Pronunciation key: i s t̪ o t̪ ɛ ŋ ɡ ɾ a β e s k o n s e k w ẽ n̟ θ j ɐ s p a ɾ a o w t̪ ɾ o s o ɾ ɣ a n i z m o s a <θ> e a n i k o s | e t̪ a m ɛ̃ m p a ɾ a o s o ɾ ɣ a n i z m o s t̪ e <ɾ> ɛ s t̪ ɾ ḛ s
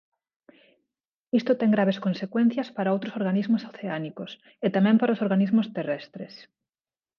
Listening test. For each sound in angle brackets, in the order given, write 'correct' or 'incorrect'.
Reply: correct, incorrect: r

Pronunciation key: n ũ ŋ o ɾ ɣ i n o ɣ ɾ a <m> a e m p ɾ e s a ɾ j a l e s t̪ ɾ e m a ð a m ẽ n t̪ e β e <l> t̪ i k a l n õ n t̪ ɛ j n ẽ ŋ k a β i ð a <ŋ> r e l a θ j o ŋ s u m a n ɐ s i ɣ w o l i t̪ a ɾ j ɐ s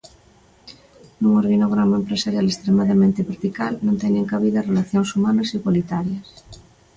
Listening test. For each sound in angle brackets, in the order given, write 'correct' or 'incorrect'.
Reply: correct, incorrect: ɾ, incorrect: none

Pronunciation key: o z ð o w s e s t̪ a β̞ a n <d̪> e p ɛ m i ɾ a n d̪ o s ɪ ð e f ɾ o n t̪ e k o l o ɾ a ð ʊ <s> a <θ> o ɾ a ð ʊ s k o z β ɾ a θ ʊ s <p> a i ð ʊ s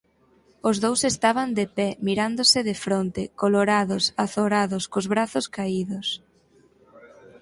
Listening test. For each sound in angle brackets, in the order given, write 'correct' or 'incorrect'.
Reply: correct, correct, correct, incorrect: k

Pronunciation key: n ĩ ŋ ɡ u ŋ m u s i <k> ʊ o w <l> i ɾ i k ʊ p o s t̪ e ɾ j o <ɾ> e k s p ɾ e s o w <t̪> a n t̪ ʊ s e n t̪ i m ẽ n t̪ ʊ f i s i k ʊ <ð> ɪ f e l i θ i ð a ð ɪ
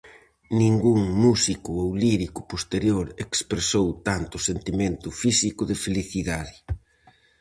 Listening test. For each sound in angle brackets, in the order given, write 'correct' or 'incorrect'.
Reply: correct, correct, correct, correct, correct

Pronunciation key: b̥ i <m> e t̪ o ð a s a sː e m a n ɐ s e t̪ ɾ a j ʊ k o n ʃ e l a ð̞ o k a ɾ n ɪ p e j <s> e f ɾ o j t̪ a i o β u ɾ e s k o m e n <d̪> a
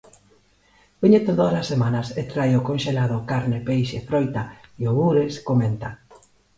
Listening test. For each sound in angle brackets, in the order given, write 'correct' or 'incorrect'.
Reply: incorrect: ɲ, incorrect: ʃ, incorrect: t̪

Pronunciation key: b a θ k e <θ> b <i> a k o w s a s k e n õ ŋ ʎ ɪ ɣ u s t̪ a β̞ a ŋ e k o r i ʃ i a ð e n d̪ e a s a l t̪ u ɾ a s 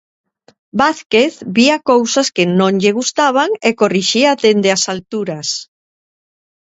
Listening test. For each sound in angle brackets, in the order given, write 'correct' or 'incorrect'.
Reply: correct, correct

